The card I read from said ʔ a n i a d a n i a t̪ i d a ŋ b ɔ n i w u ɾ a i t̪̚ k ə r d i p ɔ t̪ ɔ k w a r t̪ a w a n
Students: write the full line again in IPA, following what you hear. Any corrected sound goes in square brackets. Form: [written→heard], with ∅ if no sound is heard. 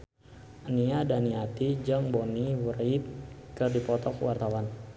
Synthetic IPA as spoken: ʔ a n i a d a n i a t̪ i [d→d͡ʒ] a ŋ b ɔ n i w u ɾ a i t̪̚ k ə r d i p ɔ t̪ ɔ k w a r t̪ a w a n